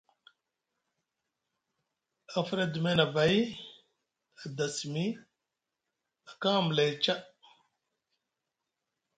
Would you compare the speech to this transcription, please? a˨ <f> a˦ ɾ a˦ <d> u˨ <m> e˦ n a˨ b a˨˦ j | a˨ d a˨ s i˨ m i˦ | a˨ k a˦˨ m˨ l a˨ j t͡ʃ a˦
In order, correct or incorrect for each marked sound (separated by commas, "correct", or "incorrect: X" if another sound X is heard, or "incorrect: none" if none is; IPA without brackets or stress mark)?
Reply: correct, correct, correct